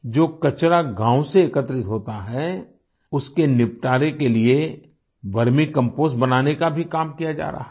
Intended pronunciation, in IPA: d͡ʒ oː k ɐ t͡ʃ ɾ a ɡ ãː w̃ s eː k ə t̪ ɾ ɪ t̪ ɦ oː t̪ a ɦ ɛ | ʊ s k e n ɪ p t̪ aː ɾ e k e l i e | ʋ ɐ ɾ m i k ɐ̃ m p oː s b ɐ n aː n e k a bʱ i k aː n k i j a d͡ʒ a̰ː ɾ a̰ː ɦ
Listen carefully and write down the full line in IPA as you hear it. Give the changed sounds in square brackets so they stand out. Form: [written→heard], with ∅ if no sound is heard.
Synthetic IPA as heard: d͡ʒ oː k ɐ t͡ʃ ɾ a ɡ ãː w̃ s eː k ə t̪ ɾ ɪ t̪ ɦ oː t̪ a ɦ ɛ | ʊ s k e n ɪ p t̪ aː ɾ e k e l i e | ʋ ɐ ɾ m i k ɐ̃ m p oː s b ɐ n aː n e k a bʱ i k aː [n→m] k i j a d͡ʒ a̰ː ɾ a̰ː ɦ